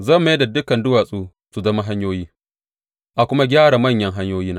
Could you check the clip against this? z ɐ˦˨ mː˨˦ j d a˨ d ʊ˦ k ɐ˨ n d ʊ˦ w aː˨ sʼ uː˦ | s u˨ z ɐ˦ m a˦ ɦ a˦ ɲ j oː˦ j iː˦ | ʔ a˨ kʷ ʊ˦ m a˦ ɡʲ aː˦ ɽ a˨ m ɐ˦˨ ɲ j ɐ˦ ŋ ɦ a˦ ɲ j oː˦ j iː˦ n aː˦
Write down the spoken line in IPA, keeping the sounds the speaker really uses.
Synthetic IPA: z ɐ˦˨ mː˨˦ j d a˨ d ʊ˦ k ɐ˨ n d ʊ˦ w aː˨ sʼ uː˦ | s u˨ z ɐ˦ m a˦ ɦ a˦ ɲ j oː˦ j iː˦ | ʔ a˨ kʷ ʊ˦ m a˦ ɡʲ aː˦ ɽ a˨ m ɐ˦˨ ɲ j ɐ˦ ŋ ɦ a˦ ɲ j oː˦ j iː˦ n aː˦